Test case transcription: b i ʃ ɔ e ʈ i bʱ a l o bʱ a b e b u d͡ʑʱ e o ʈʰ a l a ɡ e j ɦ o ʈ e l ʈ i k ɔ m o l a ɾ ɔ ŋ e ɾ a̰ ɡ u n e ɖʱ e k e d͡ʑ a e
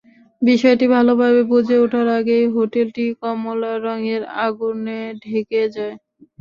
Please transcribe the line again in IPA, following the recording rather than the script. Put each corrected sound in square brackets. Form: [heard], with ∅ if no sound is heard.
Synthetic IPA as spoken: b i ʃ ɔ e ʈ i bʱ a l o bʱ a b e b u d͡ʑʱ e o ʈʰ a [ɾ] a ɡ e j ɦ o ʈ e l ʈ i k ɔ m o l a ɾ ɔ ŋ e ɾ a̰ ɡ u n e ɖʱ e k e d͡ʑ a e